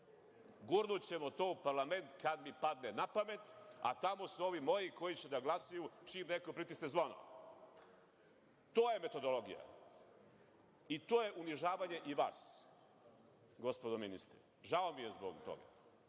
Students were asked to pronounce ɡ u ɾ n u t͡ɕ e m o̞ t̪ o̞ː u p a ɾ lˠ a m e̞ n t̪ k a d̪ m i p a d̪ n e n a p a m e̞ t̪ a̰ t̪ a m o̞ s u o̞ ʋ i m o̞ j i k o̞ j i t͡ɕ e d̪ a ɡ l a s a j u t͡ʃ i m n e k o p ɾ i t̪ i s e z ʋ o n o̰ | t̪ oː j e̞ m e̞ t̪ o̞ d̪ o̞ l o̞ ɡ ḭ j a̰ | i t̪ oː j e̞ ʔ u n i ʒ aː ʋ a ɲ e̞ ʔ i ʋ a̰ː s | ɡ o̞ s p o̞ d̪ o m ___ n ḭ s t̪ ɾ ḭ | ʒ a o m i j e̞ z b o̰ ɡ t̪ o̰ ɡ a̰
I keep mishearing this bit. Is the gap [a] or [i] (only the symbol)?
i